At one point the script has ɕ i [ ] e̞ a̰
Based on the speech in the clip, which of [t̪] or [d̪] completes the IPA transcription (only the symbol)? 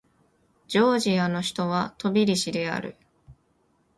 d̪